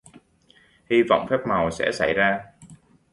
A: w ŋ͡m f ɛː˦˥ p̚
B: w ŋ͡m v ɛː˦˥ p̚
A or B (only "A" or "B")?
A